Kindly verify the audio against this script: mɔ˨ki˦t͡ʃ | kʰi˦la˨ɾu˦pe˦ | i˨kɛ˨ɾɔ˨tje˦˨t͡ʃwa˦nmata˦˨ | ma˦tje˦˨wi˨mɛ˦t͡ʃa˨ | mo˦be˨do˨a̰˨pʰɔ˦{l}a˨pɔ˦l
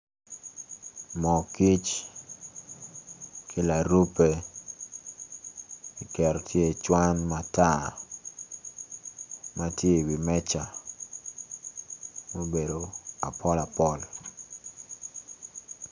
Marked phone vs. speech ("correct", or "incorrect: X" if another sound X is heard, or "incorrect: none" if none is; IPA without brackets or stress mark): correct